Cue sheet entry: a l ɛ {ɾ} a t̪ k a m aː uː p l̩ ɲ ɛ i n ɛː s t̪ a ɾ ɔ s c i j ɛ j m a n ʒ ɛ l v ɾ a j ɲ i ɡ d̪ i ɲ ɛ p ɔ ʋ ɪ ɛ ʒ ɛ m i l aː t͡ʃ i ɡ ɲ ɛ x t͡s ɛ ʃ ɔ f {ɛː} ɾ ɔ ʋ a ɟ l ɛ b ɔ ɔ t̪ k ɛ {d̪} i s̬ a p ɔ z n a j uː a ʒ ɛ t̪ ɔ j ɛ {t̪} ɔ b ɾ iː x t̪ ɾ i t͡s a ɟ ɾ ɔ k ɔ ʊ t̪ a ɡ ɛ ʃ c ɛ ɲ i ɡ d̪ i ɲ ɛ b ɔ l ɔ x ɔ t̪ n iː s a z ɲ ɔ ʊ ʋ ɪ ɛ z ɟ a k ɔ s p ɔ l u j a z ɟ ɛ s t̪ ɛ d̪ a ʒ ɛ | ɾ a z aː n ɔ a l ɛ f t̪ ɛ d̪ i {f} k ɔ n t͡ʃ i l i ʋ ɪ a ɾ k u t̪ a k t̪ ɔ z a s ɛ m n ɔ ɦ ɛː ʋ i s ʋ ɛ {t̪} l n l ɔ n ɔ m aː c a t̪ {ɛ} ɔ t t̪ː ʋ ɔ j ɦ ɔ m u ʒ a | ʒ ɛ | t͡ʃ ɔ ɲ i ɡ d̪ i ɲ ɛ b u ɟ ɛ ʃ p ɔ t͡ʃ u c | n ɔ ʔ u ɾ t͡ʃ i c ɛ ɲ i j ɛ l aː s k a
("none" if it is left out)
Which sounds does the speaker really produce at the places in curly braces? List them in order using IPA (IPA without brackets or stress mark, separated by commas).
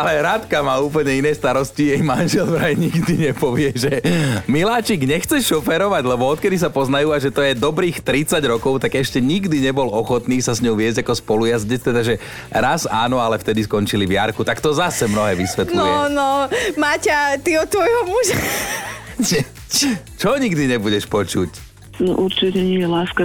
ɾ, ɛ, d̪, d̪, s, t̪, i